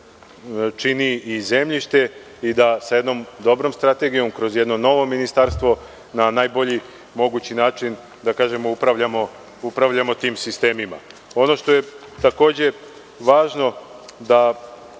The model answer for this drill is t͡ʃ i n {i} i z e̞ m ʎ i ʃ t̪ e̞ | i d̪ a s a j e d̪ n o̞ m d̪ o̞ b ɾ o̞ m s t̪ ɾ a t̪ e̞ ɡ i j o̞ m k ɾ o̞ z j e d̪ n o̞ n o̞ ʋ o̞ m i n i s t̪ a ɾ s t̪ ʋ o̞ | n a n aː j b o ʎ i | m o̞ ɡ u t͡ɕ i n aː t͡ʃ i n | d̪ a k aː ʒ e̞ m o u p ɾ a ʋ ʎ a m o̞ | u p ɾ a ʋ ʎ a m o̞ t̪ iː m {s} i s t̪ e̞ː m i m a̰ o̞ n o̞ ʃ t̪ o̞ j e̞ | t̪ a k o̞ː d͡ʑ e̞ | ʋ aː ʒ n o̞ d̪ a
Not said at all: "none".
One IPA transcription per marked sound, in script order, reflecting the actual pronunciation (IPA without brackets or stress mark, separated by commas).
i, s